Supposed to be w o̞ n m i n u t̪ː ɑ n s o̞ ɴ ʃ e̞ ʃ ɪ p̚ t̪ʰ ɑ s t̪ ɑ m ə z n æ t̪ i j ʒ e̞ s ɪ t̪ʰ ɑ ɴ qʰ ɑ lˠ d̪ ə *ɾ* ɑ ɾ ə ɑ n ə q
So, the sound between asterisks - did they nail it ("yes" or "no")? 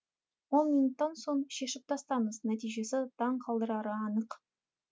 yes